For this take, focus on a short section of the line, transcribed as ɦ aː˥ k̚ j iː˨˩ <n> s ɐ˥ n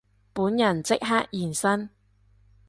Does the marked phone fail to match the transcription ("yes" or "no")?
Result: no